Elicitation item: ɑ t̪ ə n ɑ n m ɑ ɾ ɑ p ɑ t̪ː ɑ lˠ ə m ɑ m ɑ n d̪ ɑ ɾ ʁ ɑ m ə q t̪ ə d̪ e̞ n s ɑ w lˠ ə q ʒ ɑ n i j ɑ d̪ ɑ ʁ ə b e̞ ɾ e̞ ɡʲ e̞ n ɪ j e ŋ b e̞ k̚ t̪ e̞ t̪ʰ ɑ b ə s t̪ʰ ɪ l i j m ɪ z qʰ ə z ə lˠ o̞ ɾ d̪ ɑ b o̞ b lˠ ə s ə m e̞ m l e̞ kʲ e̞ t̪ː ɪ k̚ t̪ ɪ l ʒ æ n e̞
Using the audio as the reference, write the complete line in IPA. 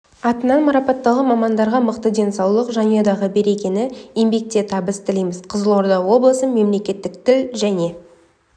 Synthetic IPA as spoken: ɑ t̪ ə n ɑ n m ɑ ɾ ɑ p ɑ t̪ː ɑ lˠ ə m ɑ m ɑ n d̪ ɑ ɾ ʁ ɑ m ə q t̪ ə d̪ e̞ n s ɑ w lˠ ə q ʒ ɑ n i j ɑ d̪ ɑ ʁ ə b e̞ ɾ e̞ kʲ e̞ n ɪ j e m b e̞ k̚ t̪ e̞ t̪ʰ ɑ b ə s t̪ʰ ɪ l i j m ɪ z qʰ ə z ə lˠ o̞ ɾ d̪ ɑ w o̞ b lˠ ə s ə m e̞ m l e̞ kʲ e̞ t̪ː ɪ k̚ t̪ ɪ l ʒ æ n e̞